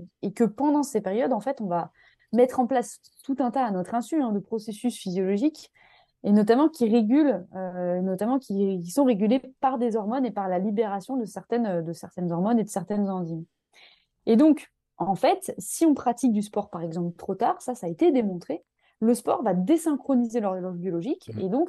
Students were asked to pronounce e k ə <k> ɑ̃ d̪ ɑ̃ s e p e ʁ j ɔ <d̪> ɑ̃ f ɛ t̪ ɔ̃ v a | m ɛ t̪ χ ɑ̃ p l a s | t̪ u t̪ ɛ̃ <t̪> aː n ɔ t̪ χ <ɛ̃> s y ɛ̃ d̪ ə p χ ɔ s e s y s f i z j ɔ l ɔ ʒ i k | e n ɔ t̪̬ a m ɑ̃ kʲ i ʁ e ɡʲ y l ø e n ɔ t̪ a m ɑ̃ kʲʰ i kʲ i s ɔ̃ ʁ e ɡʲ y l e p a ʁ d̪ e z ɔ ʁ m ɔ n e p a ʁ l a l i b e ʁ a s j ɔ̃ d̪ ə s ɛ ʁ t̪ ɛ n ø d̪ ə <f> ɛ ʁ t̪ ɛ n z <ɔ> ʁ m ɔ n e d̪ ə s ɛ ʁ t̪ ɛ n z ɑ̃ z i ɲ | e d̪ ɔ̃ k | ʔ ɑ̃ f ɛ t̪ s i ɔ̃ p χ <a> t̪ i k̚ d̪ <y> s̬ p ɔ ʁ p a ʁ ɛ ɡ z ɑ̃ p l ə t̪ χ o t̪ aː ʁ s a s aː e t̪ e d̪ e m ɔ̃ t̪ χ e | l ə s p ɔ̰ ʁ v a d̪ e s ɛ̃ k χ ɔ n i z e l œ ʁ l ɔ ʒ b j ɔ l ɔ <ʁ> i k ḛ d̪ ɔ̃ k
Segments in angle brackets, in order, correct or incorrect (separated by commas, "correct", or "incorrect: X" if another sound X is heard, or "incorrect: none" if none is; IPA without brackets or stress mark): incorrect: p, correct, correct, correct, incorrect: s, correct, correct, correct, incorrect: ʒ